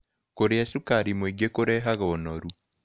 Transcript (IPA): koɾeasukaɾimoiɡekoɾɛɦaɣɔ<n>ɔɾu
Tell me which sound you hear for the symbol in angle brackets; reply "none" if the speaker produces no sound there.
n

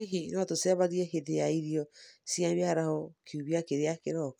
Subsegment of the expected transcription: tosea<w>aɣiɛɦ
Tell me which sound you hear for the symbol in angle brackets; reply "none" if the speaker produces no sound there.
β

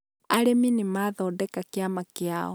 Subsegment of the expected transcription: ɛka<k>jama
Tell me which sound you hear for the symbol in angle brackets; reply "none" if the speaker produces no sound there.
k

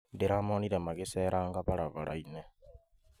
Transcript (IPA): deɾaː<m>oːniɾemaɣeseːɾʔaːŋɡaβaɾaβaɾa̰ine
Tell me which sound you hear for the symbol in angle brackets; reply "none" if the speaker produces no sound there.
m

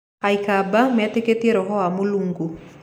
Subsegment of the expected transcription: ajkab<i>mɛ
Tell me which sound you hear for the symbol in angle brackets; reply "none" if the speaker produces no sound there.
a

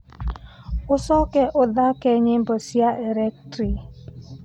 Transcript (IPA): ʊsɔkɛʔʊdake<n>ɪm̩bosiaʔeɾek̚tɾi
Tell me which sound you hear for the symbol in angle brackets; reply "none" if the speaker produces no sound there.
ɲ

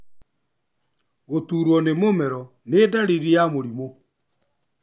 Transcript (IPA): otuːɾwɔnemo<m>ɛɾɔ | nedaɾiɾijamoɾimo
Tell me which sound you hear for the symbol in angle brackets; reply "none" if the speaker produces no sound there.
m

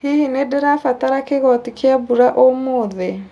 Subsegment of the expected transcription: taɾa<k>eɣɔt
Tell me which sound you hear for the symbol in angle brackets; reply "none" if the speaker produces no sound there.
k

